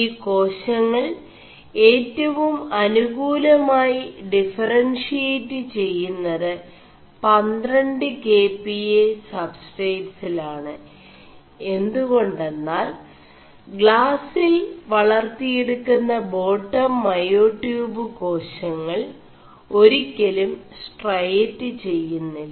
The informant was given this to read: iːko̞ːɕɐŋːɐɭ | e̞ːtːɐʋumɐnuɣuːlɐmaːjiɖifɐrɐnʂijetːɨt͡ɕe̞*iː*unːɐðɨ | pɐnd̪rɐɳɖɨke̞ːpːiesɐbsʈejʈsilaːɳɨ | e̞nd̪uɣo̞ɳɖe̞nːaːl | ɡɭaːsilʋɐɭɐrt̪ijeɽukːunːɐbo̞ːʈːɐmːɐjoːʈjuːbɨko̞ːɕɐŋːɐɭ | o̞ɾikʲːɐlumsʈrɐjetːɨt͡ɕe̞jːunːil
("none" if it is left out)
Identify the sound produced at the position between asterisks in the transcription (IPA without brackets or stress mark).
jː